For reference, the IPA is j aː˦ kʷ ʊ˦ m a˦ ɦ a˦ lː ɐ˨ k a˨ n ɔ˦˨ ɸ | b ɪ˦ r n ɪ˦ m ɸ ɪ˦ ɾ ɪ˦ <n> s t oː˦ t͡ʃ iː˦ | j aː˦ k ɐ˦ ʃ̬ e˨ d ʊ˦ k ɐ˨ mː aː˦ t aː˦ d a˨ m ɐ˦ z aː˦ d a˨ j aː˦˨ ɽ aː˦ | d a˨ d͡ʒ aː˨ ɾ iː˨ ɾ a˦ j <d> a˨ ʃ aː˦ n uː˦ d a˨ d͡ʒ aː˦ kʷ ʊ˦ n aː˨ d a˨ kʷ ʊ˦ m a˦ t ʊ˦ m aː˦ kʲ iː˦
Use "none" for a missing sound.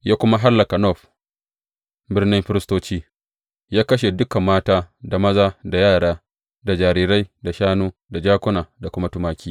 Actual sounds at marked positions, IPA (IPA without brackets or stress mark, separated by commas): none, d